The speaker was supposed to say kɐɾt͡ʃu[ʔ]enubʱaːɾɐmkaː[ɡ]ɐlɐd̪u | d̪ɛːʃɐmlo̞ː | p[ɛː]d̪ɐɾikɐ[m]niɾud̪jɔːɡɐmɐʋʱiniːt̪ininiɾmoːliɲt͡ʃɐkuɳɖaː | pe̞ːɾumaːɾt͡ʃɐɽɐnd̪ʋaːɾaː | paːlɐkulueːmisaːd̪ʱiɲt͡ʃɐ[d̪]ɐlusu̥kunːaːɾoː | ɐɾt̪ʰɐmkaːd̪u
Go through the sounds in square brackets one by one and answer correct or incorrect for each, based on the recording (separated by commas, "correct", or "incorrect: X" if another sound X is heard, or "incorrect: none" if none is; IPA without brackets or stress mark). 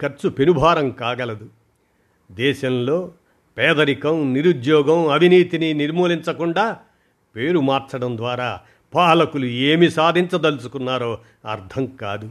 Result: incorrect: p, correct, correct, correct, correct